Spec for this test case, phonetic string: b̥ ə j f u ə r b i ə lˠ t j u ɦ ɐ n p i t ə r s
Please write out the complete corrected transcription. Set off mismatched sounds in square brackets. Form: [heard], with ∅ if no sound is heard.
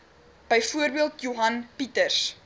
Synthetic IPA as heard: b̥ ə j f u ə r b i ə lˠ t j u ɦ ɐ n p i t ə r s